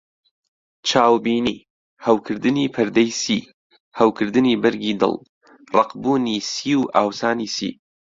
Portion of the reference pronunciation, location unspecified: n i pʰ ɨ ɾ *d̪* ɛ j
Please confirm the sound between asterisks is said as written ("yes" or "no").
yes